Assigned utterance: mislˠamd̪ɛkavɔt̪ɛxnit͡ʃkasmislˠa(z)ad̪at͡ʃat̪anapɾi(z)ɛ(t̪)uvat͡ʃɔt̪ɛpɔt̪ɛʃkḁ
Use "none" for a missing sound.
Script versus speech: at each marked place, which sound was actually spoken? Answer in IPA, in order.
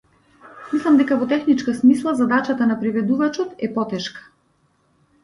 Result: z, v, d̪

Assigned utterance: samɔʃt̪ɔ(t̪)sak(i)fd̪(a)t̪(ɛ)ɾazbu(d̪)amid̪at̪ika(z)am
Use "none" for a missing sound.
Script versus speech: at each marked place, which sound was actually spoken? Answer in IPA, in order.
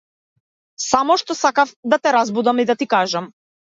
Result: none, a, a, ɛ, d̪, ʒ

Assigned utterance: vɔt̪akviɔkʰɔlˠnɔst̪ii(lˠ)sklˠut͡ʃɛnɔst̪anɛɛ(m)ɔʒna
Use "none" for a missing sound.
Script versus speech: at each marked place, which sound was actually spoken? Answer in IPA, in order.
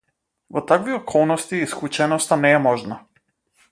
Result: none, m

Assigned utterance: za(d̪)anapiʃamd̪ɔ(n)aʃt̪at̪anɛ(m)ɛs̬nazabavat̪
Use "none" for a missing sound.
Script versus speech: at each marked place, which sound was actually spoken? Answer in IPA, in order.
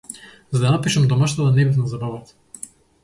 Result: d̪, m, b

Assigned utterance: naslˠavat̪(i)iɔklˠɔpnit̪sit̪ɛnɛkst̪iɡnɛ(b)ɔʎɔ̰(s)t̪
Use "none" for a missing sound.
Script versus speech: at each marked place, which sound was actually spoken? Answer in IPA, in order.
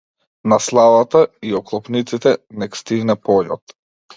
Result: a, p, none

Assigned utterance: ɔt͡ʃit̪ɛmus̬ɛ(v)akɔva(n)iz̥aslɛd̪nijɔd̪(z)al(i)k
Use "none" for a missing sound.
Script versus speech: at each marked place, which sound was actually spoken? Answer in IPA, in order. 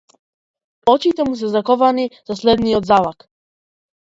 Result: z, n, z, a

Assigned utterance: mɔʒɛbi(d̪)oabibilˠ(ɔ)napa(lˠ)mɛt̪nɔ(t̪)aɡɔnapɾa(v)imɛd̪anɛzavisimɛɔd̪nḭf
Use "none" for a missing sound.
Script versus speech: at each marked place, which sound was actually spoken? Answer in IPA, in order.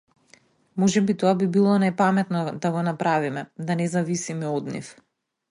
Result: t̪, ɔ, none, d̪, v

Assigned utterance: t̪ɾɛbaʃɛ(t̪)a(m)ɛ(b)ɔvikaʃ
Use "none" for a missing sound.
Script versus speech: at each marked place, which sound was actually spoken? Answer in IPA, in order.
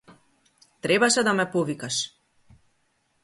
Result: d̪, m, p

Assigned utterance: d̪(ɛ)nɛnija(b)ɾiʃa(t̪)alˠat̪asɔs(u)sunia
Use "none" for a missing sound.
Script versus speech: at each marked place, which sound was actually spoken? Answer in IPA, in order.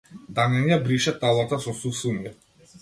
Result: a, b, t̪, u

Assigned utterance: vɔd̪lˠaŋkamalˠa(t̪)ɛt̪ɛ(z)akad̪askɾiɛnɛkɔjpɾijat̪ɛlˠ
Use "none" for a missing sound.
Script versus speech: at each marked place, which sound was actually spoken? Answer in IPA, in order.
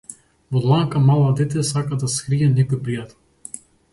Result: d̪, s

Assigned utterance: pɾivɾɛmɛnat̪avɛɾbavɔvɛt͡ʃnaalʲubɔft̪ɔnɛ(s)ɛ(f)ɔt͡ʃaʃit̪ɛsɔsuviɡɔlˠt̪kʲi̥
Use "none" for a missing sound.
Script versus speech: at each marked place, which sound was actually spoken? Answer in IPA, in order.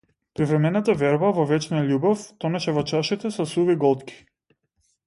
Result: ʃ, v

